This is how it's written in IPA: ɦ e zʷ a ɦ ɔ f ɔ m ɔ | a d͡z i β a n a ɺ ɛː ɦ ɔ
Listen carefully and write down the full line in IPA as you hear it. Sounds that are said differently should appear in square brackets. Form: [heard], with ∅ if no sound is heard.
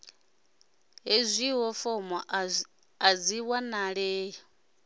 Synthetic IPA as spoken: ɦ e zʷ [i] ɦ ɔ f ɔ m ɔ | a d͡z i [w] a n a ɺ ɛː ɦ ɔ